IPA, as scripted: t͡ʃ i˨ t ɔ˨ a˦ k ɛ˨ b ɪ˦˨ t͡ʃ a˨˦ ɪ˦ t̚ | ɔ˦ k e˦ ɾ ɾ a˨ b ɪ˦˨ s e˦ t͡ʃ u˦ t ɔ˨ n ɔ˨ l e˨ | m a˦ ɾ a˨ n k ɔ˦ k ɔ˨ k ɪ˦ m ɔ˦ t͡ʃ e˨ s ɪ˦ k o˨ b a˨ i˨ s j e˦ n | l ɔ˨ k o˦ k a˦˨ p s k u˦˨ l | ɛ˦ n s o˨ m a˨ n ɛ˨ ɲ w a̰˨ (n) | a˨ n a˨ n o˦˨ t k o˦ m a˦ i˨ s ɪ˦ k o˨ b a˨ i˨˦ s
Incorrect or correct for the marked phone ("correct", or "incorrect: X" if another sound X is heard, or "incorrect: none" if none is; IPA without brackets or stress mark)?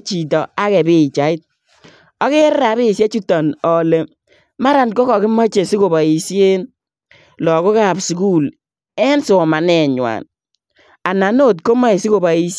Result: correct